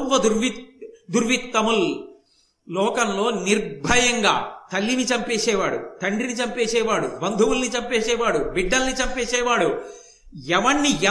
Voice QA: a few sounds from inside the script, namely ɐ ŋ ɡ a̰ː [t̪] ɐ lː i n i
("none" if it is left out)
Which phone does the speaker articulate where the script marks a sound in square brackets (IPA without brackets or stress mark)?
t̪